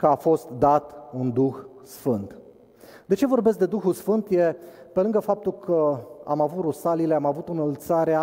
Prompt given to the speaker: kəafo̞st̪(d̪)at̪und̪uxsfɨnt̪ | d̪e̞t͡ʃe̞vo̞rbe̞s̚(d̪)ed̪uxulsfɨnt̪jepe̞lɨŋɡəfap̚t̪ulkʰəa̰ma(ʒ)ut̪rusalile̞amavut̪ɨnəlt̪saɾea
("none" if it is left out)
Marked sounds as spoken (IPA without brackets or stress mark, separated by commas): d̪, d̪, v